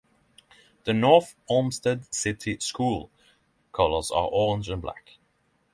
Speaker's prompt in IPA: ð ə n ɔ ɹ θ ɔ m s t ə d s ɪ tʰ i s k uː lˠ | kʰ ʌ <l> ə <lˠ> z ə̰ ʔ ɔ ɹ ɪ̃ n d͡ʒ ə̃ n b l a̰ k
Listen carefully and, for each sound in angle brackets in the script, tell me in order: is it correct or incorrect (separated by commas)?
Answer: correct, incorrect